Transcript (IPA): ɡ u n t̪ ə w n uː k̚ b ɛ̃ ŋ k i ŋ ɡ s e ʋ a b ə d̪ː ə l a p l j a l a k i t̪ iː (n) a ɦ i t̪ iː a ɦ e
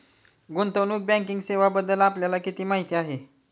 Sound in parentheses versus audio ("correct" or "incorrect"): incorrect